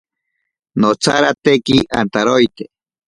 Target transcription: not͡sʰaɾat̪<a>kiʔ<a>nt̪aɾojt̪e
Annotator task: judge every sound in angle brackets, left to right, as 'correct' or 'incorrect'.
incorrect: e, correct

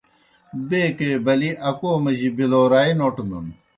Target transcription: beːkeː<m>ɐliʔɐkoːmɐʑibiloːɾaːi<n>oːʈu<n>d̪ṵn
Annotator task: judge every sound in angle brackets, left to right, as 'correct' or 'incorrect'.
incorrect: b, correct, correct

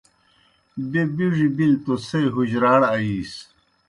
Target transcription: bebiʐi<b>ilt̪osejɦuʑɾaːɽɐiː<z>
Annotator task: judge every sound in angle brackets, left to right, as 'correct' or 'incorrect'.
correct, incorrect: s

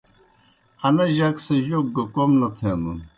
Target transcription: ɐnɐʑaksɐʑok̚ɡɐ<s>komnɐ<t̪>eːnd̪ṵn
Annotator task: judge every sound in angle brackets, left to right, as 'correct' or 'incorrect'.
incorrect: none, incorrect: t̪ʰ

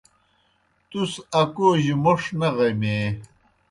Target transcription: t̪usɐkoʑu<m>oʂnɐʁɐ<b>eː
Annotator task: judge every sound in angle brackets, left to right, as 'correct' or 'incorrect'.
correct, incorrect: m

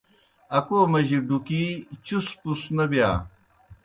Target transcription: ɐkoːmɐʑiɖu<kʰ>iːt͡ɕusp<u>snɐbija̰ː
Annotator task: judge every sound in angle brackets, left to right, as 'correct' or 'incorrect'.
incorrect: k, correct

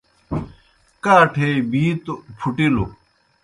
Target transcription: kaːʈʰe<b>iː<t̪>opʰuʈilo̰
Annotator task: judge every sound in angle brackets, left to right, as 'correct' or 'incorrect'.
correct, correct

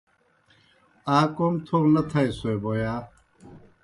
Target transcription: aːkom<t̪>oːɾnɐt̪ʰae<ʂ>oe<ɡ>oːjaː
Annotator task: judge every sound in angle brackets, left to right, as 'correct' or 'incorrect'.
incorrect: t̪ʰ, incorrect: s, incorrect: b

